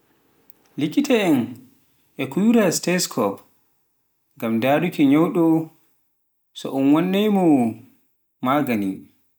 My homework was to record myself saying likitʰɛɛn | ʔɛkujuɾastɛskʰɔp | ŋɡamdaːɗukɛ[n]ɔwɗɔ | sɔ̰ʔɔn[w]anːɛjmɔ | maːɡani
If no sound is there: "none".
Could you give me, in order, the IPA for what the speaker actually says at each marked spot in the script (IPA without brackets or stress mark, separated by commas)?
ɲ, w